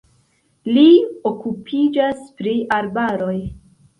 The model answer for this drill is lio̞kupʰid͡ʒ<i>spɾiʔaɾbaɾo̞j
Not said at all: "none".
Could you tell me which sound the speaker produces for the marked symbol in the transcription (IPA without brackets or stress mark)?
a